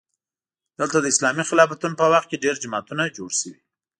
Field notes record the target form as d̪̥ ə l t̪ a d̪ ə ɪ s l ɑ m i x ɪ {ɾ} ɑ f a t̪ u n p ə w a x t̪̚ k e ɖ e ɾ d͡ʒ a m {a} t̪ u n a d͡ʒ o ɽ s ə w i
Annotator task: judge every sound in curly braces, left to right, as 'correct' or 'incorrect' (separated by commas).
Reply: incorrect, incorrect